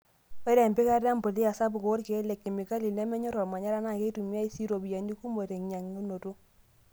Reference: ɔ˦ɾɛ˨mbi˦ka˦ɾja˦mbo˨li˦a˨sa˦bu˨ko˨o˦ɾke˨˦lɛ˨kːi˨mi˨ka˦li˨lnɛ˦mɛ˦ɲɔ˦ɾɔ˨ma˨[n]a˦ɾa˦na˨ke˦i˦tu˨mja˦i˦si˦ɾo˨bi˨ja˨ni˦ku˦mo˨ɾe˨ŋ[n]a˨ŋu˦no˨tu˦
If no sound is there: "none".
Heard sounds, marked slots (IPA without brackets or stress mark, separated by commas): ɲ, ɲ